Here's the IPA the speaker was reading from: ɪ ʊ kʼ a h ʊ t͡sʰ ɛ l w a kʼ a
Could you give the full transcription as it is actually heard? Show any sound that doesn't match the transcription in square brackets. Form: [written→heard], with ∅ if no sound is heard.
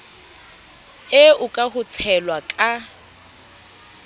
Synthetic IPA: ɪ ʊ kʼ a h ʊ t͡sʰ ɛ l w a kʼ a